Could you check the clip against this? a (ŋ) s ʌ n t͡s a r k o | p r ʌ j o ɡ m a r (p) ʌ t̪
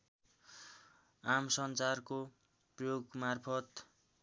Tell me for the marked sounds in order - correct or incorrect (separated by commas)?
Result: incorrect, incorrect